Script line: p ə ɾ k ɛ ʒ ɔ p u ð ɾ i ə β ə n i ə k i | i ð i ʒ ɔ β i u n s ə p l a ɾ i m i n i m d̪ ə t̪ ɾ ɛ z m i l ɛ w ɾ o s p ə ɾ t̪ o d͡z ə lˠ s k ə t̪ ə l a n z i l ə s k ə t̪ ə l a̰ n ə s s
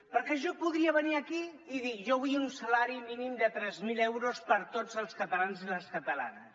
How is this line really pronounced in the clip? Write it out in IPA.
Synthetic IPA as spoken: p ə ɾ k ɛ ʒ ɔ p u ð ɾ i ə β ə n i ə k i | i ð i ʒ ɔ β i u n s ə l a ɾ i m i n i m d̪ ə t̪ ɾ ɛ z m i l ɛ w ɾ o s p ə ɾ t̪ o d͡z ə lˠ s k ə t̪ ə l a n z i l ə s k ə t̪ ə l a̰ n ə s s